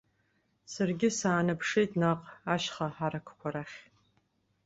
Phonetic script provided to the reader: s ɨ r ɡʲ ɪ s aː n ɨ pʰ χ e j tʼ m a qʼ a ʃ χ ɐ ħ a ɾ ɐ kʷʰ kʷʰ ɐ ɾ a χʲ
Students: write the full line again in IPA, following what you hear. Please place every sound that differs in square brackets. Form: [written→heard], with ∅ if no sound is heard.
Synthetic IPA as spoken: s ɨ r ɡʲ ɪ s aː n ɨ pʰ [χ→ʂ] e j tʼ [m→n] a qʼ a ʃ χ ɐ ħ a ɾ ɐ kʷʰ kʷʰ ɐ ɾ a χʲ